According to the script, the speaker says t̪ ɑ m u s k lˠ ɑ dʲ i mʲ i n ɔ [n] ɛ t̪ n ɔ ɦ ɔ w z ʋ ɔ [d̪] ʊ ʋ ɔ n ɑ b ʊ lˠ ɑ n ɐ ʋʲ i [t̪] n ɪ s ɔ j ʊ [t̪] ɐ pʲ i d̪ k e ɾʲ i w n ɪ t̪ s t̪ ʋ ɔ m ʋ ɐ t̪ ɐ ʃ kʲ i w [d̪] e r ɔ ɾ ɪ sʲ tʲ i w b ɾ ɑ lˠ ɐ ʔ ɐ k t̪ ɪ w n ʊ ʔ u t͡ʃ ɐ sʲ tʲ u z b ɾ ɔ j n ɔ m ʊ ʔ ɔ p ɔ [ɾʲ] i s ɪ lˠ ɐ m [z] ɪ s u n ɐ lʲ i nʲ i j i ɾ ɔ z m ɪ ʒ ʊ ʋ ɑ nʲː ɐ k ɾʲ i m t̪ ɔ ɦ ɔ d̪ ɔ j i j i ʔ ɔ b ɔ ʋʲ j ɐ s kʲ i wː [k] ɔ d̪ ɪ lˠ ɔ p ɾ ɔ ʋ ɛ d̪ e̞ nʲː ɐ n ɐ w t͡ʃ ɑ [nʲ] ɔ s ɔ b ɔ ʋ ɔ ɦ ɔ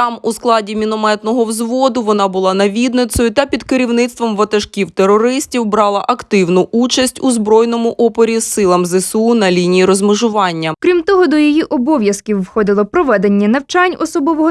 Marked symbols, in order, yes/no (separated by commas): no, yes, no, yes, no, yes, yes, no, yes